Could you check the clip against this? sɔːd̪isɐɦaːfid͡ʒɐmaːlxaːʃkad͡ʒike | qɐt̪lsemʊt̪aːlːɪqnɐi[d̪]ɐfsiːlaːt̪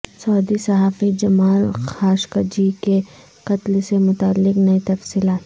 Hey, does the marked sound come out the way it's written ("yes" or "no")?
no